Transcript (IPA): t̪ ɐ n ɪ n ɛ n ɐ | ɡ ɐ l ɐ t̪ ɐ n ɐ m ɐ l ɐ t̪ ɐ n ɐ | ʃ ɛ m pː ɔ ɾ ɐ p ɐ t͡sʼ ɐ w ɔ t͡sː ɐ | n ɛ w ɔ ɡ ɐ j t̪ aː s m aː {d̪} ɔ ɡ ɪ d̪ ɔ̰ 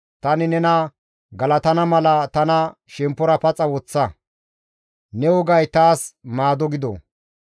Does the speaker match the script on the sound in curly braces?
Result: yes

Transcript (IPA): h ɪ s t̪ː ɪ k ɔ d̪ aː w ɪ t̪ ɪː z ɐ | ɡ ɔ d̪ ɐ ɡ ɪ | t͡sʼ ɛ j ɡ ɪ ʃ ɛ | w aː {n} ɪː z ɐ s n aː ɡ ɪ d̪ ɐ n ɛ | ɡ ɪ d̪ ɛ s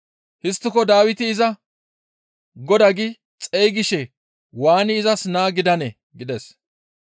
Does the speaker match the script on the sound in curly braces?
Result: yes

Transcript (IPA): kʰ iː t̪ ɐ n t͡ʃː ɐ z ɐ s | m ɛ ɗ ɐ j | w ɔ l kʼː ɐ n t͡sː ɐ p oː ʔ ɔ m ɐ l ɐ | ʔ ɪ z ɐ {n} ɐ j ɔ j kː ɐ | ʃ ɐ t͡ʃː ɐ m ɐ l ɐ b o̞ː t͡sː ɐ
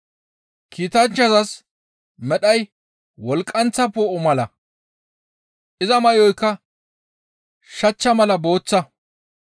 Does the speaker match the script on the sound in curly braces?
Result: no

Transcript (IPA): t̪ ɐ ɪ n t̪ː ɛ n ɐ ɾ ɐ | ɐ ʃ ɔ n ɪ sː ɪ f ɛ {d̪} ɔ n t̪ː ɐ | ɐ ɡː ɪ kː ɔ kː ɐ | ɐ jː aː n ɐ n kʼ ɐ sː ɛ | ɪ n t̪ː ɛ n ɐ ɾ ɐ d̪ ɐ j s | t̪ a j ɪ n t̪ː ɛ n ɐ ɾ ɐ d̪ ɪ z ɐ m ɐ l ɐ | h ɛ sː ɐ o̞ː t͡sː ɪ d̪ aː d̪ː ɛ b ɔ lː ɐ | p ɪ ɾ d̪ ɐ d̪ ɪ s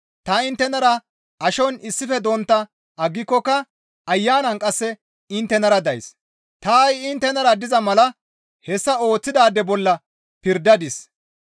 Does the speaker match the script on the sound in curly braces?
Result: yes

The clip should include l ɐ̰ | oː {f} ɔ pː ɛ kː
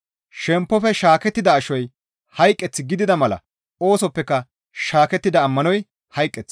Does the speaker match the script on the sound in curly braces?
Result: no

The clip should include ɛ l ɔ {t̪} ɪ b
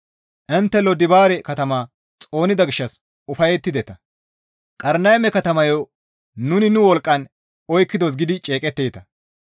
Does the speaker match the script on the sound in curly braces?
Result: no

